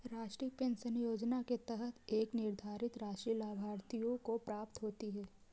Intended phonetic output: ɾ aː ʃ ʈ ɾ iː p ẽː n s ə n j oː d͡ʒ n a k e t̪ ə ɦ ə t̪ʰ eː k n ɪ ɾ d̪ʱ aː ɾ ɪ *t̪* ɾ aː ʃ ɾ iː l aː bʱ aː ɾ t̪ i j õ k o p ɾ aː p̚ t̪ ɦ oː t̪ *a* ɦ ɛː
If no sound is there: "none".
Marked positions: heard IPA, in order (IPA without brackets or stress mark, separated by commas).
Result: t̪, i